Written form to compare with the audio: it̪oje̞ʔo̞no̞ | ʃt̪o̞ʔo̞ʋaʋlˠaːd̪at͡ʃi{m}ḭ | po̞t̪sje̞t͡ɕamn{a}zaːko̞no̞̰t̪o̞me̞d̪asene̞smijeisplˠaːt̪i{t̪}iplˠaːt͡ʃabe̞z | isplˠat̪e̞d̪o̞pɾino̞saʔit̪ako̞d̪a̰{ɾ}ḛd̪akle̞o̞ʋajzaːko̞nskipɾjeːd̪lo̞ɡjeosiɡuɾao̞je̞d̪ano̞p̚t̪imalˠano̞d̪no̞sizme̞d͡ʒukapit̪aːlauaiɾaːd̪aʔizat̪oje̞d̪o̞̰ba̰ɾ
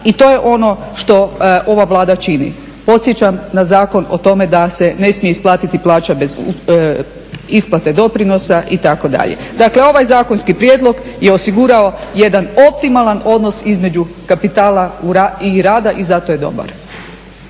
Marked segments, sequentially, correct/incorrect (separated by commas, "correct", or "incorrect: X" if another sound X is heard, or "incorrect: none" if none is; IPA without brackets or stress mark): incorrect: n, correct, correct, incorrect: ʎ